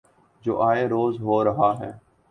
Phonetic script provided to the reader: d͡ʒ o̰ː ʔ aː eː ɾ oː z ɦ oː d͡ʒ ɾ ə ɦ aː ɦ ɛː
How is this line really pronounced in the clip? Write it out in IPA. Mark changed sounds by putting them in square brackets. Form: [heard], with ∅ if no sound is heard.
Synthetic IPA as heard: d͡ʒ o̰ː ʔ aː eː ɾ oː z ɦ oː [∅] ɾ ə ɦ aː ɦ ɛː

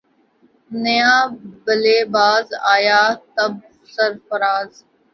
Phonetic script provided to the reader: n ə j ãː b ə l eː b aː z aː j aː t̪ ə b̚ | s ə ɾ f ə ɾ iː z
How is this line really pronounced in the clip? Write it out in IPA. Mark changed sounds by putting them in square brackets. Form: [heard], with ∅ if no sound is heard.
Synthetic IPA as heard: n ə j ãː b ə l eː b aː z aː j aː t̪ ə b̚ | s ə ɾ f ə ɾ [aː] z

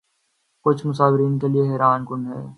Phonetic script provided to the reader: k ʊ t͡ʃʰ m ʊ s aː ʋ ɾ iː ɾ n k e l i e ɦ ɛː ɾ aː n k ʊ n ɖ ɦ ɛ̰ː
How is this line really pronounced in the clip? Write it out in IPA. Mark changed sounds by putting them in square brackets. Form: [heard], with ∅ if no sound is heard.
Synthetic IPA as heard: k ʊ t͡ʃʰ m ʊ s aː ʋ ɾ iː [∅] n k e l i e ɦ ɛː ɾ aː n k ʊ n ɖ ɦ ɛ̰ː

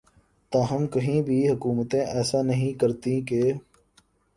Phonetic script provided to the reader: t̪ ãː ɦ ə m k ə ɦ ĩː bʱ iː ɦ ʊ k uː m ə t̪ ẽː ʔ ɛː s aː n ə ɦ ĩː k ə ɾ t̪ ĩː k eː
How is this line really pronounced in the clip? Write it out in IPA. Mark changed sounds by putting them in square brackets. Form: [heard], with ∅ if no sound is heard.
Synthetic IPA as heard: t̪ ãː ɦ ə m k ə ɦ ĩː bʱ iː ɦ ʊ k uː m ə t̪ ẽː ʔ ɛː s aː n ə ɦ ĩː k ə ɾ t̪ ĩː k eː

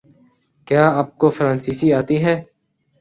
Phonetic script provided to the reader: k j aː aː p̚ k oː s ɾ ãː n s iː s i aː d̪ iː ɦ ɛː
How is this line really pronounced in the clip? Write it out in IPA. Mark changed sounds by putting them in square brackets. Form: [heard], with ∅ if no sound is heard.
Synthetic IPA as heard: k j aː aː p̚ k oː [f] ɾ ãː n s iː s i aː [t̪] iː ɦ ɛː

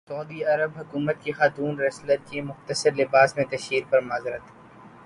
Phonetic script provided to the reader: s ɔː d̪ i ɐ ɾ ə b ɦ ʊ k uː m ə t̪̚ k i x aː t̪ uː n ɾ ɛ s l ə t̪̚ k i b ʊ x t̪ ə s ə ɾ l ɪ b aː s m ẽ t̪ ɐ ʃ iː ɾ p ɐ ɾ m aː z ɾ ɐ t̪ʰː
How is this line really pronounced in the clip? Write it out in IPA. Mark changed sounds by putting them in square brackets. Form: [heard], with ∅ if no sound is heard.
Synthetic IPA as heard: s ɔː d̪ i ɐ ɾ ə b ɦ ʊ k uː m ə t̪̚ k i x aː t̪ uː n ɾ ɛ s l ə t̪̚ k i [m] ʊ x t̪ ə s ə ɾ l ɪ b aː s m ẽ t̪ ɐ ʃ iː ɾ p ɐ ɾ m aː z ɾ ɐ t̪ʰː

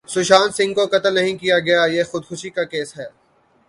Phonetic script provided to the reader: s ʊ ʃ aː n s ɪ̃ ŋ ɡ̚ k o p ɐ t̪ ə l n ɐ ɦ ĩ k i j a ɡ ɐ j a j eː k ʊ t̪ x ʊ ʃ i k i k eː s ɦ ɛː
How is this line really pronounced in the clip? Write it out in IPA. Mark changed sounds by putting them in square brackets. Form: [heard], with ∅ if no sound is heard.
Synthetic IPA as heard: s ʊ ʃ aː n s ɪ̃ ŋ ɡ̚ k o [k] ɐ t̪ ə l n ɐ ɦ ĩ k i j a ɡ ɐ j a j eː [x] ʊ [d̪] x ʊ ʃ i k [a] k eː s ɦ ɛː

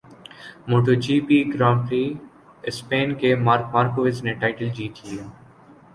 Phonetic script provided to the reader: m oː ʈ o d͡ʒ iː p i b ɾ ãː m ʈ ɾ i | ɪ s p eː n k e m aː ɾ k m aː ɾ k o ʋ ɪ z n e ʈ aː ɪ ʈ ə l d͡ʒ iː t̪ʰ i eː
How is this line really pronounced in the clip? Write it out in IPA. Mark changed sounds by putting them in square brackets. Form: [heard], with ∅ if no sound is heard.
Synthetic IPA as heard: m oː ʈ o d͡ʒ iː p i [ɡ] ɾ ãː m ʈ ɾ i | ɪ s p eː n k e m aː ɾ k m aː ɾ k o ʋ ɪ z n e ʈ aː ɪ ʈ ə l d͡ʒ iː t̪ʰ i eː

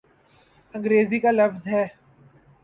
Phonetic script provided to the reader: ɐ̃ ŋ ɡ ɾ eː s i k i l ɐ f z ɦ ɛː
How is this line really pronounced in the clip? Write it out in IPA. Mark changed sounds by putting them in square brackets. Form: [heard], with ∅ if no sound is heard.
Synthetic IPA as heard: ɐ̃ ŋ ɡ ɾ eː [z] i k [a] l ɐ f z ɦ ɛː

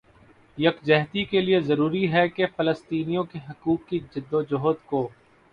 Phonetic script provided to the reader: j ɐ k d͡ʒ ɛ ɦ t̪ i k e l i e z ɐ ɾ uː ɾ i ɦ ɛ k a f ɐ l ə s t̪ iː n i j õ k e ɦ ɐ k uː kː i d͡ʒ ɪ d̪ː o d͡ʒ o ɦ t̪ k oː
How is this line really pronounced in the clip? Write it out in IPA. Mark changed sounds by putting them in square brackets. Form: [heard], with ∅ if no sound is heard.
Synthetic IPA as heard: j ɐ k d͡ʒ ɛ ɦ t̪ i k e l i e z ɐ ɾ uː ɾ i ɦ ɛ k [e] f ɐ l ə s t̪ iː n i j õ k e ɦ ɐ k uː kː i d͡ʒ ɪ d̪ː o d͡ʒ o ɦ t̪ k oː

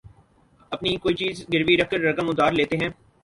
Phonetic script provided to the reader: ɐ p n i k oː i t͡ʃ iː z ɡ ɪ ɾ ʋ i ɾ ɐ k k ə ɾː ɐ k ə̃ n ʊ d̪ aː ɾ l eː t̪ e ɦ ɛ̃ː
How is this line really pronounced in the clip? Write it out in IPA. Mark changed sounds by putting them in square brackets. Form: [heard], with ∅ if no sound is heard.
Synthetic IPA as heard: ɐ p n i k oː i t͡ʃ iː z ɡ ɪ ɾ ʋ i ɾ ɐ k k ə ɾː ɐ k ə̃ [m] ʊ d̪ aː ɾ l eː t̪ e ɦ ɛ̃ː

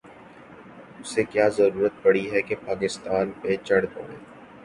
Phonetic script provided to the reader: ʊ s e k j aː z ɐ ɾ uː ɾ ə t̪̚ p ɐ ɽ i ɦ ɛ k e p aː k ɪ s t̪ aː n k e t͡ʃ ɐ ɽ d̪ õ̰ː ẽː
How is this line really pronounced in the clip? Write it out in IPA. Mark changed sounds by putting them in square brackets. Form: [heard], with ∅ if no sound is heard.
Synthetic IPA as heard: ʊ s e k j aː z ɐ ɾ uː ɾ ə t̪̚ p ɐ ɽ i ɦ ɛ k e p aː k ɪ s t̪ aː n [p] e t͡ʃ ɐ ɽ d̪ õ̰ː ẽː

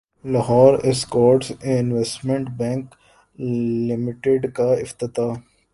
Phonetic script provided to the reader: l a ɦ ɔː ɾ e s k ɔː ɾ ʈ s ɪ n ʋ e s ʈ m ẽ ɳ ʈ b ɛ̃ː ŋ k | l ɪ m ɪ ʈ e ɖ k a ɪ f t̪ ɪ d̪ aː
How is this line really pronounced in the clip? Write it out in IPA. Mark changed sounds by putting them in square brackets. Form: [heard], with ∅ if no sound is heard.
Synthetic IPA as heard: l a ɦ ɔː ɾ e s k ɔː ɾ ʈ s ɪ n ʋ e s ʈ m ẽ ɳ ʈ b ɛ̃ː ŋ k | l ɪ m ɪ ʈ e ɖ k a ɪ f t̪ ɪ [t̪] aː

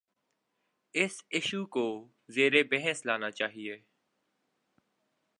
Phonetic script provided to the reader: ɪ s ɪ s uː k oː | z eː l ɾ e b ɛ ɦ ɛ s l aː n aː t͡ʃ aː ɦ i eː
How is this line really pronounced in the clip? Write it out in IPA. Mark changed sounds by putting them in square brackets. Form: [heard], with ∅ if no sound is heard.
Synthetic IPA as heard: ɪ s ɪ [ʃ] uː k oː | z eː [∅] ɾ e b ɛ ɦ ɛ s l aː n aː t͡ʃ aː ɦ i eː

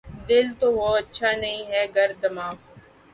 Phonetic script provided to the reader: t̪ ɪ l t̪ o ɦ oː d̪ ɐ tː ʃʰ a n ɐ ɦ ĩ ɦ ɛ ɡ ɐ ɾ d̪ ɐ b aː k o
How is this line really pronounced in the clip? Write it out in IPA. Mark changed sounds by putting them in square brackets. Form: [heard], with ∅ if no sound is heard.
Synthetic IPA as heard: [d̪] ɪ l t̪ o ɦ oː [∅] ɐ tː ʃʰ a n ɐ ɦ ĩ ɦ ɛ ɡ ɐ ɾ d̪ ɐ [m] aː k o

